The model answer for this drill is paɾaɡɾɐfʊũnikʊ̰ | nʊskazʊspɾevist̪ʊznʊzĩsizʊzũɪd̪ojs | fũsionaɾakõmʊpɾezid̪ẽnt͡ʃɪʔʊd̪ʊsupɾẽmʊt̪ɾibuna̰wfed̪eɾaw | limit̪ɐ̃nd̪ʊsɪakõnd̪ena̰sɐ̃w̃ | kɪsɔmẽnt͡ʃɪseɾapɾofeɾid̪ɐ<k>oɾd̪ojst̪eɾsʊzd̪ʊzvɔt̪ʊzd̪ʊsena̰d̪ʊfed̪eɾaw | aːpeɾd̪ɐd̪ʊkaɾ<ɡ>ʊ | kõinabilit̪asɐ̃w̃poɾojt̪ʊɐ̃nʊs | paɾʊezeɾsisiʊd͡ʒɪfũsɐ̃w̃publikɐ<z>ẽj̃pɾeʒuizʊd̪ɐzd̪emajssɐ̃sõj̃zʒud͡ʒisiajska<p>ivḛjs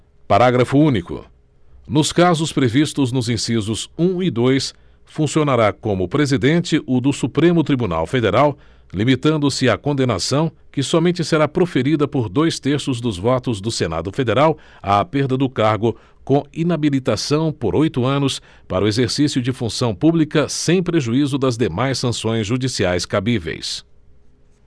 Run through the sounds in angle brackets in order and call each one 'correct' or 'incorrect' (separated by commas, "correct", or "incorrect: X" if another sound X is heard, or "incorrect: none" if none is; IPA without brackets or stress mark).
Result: incorrect: p, correct, incorrect: s, incorrect: b